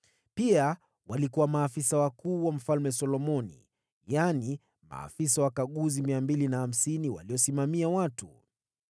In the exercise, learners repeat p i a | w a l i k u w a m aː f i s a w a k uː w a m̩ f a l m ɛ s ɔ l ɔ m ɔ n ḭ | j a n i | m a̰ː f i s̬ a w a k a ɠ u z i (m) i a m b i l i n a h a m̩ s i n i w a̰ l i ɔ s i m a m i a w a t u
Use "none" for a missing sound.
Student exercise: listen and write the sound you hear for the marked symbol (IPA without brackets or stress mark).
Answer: m